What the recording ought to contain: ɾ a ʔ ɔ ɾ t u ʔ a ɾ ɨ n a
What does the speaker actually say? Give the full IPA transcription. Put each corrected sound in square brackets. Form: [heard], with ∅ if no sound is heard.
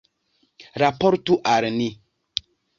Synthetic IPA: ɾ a [p] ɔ ɾ t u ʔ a ɾ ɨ n [i]